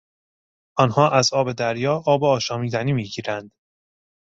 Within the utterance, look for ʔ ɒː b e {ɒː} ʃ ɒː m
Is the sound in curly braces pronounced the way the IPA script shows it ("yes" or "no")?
yes